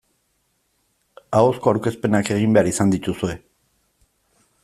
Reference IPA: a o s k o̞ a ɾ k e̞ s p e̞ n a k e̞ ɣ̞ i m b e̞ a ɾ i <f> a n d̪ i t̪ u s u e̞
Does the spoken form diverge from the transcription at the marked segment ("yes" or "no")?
yes